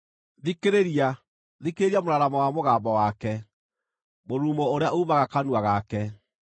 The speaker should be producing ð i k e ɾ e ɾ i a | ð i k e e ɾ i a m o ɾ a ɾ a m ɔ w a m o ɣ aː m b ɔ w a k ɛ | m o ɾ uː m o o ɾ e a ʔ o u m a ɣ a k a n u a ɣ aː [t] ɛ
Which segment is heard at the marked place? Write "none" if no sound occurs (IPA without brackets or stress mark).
k